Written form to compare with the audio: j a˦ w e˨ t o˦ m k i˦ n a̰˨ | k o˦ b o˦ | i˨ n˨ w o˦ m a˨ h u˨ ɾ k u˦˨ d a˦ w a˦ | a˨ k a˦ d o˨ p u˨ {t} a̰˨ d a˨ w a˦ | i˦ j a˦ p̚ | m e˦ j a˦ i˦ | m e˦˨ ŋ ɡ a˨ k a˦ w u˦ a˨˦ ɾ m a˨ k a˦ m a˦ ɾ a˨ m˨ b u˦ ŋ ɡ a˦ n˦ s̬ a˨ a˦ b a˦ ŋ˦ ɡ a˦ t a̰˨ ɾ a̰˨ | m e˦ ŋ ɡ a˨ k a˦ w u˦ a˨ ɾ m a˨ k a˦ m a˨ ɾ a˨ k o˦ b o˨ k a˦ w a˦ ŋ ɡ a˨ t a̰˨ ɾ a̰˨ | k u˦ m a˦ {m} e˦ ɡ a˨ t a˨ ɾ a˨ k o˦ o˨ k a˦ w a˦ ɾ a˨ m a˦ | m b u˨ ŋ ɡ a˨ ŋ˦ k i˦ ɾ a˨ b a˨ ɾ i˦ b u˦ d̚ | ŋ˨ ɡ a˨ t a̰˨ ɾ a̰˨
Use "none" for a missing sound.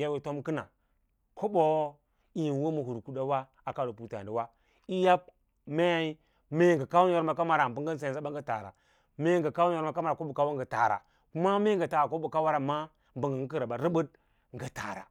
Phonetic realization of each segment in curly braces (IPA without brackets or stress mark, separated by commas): t, m